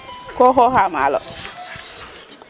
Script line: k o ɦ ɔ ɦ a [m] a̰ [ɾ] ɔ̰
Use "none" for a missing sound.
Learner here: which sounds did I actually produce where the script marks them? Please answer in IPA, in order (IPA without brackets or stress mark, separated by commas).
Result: m, l